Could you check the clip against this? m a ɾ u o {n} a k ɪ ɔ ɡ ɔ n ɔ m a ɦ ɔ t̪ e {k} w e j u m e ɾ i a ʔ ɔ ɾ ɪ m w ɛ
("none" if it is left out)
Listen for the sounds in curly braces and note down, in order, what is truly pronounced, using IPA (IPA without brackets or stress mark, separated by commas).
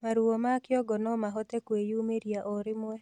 m, k